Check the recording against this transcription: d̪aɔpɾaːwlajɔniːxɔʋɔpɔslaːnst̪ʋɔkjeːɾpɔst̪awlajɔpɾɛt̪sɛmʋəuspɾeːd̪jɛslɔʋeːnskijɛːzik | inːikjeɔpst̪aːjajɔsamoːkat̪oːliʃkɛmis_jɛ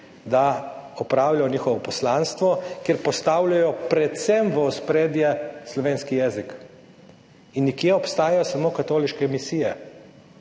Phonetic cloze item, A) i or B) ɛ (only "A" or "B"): A